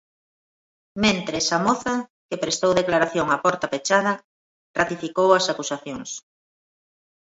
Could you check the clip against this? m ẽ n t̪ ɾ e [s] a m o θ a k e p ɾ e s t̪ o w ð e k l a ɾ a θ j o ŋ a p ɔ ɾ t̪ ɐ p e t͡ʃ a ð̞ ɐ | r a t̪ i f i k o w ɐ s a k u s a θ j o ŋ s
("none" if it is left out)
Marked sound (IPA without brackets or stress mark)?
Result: s